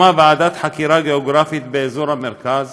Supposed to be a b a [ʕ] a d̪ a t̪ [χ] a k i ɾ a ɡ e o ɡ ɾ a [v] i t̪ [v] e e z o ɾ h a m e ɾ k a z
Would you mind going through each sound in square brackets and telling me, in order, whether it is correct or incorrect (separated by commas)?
correct, incorrect, incorrect, incorrect